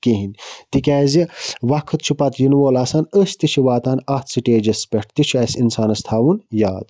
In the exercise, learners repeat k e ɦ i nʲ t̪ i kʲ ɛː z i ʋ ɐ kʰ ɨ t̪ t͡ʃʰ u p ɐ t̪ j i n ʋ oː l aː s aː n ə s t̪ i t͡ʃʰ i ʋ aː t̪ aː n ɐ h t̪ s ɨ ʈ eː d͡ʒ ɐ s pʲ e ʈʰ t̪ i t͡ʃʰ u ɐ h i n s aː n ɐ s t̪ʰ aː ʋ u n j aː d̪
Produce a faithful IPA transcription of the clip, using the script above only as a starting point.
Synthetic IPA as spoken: k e ɦ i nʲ t̪ i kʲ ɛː z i ʋ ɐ kʰ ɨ t̪ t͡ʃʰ u p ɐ t̪ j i n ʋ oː l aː s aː n ə s t̪ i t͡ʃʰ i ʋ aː t̪ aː n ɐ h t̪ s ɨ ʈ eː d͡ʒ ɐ s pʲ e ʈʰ t̪ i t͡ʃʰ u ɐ s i n s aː n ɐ s t̪ʰ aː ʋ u n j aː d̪